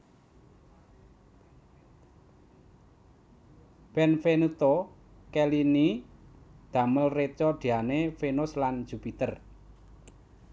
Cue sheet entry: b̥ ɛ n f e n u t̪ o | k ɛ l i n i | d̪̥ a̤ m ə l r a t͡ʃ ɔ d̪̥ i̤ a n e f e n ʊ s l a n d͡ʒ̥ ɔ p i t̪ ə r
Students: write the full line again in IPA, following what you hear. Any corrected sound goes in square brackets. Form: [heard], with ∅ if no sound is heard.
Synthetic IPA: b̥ ɛ n f e n u t̪ o | k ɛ l i n i | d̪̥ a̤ m ə l r [e] t͡ʃ ɔ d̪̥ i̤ a n e f e n ʊ s l a n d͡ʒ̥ [u] p i t̪ ə r